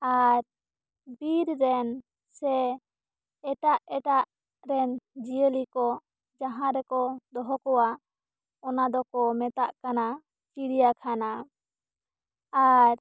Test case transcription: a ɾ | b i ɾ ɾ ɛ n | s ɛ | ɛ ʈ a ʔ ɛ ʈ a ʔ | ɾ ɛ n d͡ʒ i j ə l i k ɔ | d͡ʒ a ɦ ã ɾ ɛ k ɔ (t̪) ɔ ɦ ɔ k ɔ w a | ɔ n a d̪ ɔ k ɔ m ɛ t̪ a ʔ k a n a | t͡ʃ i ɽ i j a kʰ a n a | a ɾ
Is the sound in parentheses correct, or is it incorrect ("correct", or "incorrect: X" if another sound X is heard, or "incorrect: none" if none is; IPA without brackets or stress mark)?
incorrect: d̪